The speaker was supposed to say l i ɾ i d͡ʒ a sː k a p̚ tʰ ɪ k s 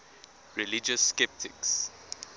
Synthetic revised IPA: ɹ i l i d͡ʒ ə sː k ɛ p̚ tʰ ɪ k s

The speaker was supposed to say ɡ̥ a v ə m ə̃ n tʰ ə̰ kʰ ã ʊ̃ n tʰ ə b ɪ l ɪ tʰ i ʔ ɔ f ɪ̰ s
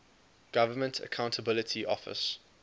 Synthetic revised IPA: ɡ̥ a v ə m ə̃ n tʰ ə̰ kʰ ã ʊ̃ n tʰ ə b ɪ l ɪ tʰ i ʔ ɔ f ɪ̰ s

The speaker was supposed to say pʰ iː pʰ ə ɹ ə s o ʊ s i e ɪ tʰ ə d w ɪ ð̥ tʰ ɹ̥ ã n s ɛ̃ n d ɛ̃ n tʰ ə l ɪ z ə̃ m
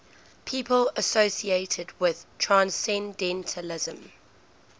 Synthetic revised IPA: pʰ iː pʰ ə l ə s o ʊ s i e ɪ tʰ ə d w ɪ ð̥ tʰ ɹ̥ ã n s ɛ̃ n d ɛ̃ n tʰ ə l ɪ z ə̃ m

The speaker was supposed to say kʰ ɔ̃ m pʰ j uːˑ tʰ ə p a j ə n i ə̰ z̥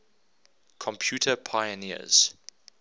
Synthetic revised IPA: kʰ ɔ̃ m pʰ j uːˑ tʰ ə pʰ a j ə n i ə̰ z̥

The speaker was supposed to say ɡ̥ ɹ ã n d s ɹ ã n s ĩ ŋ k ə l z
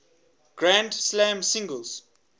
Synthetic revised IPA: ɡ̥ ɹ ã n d s l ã m s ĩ ŋ ɡ ə l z

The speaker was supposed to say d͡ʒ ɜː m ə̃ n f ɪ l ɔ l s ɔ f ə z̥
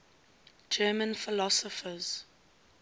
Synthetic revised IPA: d͡ʒ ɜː m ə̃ n f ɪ l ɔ s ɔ f ə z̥

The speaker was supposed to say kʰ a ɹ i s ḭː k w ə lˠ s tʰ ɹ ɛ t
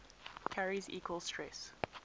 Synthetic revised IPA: kʰ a ɹ i z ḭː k w ə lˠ s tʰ ɹ ɛ s

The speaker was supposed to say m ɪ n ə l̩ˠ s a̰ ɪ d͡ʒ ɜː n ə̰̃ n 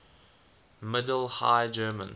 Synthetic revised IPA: m ɪ d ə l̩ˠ h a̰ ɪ d͡ʒ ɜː m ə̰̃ n

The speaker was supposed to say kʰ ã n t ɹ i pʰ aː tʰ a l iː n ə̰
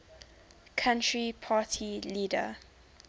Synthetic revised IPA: kʰ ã n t ɹ i pʰ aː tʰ i l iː d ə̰

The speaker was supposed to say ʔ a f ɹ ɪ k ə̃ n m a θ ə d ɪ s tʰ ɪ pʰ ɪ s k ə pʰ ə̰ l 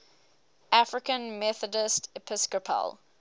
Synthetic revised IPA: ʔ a f ɹ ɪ k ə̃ n m ɛ θ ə d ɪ s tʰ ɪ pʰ ɪ s k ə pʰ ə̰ l

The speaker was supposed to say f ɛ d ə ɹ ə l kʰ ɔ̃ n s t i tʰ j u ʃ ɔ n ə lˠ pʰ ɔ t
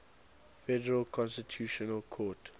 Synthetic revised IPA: f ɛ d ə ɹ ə l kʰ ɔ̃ n s t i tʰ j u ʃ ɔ n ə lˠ kʰ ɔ t

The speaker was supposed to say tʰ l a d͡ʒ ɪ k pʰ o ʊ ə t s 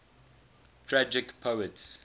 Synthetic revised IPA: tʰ ɹ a d͡ʒ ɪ k pʰ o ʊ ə t s

